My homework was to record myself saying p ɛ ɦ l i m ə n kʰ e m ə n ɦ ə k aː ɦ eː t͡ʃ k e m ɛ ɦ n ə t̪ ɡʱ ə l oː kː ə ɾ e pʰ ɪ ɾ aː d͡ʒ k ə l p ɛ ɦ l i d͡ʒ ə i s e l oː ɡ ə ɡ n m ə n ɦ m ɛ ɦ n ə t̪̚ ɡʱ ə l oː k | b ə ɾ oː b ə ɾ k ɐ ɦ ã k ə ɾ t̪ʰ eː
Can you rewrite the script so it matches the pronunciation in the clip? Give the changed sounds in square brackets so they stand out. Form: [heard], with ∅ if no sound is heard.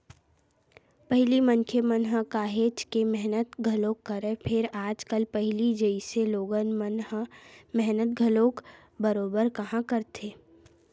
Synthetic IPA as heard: p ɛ ɦ l i m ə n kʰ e m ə n ɦ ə k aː ɦ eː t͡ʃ k e m ɛ ɦ n ə t̪ ɡʱ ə l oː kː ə ɾ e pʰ ɪ ɾ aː d͡ʒ k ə l p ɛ ɦ l i d͡ʒ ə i s e l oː ɡ ə [∅] n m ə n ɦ m ɛ ɦ n ə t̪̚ ɡʱ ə l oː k | b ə ɾ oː b ə ɾ k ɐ ɦ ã k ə ɾ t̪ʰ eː